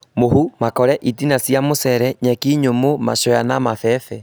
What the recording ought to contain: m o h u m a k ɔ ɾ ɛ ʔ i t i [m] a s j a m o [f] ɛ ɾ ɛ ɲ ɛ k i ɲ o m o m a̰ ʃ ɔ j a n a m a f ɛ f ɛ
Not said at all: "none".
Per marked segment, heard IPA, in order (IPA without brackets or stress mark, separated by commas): n, s